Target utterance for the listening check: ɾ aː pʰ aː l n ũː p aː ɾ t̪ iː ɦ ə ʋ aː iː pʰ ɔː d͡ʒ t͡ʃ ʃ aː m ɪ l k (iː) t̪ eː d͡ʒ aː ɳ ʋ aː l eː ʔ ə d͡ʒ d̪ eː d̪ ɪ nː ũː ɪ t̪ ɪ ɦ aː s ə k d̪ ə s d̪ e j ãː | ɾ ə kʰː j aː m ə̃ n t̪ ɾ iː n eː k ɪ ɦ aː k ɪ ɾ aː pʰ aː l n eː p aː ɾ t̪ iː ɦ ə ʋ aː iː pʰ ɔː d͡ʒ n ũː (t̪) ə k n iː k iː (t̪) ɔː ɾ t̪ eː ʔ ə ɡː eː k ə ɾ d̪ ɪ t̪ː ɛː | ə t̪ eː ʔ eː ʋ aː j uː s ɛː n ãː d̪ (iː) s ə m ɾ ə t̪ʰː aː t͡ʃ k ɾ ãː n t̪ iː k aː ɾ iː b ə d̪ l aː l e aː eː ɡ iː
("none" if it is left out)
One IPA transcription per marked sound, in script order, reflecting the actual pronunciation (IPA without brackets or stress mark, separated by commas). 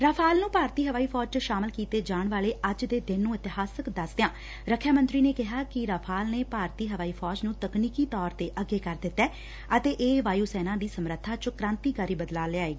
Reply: iː, t̪, t̪, iː